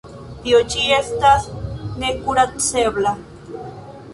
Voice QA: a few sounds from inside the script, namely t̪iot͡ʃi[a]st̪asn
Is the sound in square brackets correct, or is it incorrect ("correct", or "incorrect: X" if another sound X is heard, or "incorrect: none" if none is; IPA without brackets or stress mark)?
incorrect: e